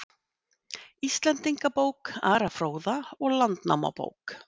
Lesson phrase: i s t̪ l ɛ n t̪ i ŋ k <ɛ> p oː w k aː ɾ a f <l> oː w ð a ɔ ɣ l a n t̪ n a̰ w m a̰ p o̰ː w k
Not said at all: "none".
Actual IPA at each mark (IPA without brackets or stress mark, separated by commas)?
a, ɾ